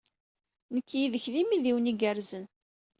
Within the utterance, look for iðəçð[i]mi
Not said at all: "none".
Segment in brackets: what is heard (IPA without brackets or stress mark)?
i